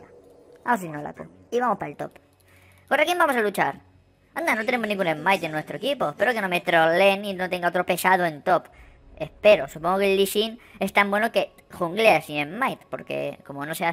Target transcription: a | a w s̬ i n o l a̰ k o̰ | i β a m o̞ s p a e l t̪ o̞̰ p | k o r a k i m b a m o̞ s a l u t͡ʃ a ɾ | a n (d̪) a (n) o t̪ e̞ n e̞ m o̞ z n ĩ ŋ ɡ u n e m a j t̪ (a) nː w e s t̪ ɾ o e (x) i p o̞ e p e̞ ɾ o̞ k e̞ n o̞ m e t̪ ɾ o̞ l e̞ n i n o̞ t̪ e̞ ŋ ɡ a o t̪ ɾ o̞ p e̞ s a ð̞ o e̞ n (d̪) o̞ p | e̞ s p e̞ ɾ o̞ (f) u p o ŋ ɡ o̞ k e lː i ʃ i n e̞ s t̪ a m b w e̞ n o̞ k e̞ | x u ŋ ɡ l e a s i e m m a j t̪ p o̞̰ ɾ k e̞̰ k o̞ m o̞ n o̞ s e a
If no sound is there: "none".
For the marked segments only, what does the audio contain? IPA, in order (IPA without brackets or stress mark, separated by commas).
d̪, n, e, k, t̪, s